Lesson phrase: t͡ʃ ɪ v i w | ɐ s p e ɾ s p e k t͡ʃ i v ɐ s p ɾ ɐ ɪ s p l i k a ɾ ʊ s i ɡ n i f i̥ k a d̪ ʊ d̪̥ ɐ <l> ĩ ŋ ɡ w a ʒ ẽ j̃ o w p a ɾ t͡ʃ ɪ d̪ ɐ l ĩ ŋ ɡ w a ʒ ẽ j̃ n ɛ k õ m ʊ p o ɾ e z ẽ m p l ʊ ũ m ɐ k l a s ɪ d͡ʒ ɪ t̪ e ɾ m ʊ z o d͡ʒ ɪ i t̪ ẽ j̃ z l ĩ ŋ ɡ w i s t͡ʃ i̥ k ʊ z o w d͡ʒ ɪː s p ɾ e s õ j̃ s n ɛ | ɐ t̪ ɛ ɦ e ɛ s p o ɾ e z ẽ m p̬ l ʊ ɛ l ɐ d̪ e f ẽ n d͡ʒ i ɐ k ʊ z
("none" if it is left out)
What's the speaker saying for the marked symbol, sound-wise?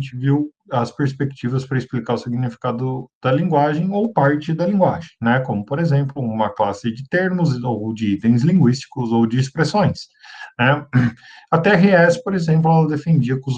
l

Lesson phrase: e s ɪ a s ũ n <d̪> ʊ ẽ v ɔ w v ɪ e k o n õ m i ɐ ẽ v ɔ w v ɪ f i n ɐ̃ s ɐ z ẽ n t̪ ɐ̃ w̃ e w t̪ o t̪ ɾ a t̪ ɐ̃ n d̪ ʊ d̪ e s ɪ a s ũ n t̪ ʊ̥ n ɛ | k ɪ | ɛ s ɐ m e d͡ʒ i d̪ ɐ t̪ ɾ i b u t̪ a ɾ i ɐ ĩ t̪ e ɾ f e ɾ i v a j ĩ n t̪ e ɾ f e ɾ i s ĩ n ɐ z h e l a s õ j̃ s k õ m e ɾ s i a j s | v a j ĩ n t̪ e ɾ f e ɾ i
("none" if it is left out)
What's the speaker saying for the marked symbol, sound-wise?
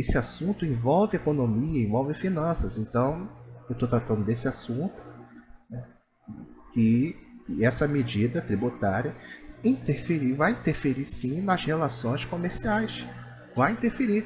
t̪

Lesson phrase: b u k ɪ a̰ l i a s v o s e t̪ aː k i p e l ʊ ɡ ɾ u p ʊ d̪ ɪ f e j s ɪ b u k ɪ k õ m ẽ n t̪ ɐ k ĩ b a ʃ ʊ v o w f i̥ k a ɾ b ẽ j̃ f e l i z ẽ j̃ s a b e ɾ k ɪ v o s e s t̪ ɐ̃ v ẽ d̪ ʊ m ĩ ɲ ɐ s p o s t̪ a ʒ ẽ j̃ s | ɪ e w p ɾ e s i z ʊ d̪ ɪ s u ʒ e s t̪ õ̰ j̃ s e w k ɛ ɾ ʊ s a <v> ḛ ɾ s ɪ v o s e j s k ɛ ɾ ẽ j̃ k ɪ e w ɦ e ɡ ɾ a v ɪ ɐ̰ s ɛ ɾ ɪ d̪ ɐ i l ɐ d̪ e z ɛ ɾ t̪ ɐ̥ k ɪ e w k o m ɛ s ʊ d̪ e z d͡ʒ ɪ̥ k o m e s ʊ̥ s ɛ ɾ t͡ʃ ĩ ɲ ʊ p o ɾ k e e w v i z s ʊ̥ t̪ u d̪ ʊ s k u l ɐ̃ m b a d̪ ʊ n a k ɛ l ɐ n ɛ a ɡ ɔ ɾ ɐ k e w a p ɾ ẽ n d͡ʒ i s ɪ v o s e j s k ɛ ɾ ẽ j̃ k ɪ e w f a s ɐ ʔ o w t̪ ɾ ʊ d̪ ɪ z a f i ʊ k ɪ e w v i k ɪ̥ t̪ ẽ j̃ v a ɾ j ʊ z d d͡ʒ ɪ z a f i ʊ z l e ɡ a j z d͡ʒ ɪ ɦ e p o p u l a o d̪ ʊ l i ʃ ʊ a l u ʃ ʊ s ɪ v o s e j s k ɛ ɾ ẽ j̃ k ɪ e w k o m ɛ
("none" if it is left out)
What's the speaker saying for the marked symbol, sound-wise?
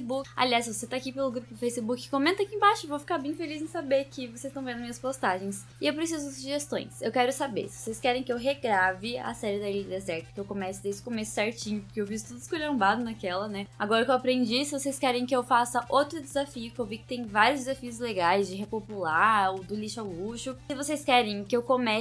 b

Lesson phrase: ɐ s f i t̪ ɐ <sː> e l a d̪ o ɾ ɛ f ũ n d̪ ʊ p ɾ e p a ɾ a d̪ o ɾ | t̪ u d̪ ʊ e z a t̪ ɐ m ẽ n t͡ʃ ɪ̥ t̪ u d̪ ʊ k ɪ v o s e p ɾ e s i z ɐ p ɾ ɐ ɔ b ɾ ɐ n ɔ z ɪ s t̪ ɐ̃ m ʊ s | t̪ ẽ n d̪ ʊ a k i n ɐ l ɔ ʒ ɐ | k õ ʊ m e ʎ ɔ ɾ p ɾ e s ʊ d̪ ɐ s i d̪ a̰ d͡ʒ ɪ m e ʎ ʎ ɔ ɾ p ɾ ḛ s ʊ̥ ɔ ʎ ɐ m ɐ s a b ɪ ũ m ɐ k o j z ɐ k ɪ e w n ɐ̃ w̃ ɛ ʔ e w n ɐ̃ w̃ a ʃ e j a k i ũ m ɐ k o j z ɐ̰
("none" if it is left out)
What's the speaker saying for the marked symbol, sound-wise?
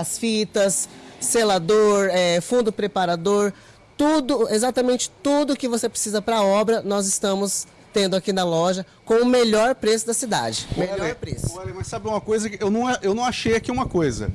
sː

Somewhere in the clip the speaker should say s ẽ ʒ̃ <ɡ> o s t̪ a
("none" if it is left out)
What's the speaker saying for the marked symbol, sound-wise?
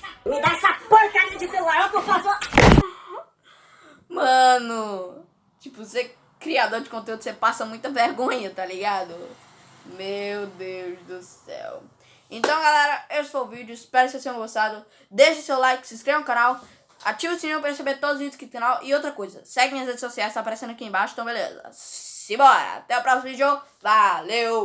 ɡ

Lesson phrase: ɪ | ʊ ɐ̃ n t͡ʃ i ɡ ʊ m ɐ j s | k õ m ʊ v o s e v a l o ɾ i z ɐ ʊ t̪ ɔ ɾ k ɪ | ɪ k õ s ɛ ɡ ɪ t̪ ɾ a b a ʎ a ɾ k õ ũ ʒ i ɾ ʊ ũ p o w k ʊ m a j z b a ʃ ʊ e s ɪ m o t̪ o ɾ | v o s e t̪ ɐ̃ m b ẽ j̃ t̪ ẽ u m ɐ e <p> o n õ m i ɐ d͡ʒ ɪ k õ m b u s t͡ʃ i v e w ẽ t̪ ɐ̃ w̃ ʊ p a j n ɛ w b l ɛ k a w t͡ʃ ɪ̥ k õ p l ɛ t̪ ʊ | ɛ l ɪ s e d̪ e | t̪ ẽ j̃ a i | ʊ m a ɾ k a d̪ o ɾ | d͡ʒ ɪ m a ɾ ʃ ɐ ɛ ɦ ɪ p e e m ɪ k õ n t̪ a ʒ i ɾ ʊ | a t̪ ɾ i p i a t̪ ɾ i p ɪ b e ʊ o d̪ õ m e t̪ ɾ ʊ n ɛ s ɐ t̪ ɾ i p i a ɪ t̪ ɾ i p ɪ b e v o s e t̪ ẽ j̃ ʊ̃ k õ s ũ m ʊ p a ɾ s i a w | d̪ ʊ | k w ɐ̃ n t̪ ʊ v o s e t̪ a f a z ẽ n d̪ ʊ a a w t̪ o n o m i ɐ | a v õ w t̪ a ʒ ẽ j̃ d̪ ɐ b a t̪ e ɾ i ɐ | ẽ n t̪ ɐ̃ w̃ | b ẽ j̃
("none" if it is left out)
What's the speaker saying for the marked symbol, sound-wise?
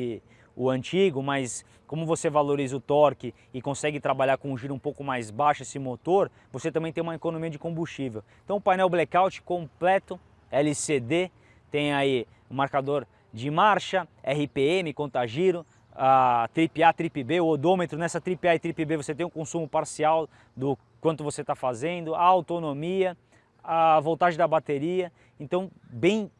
k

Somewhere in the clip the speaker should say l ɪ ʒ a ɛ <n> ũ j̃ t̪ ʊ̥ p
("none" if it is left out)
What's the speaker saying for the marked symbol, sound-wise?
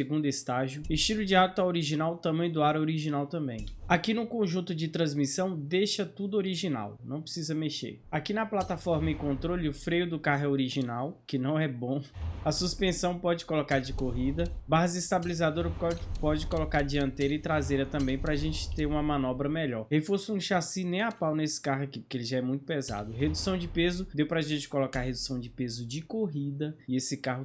m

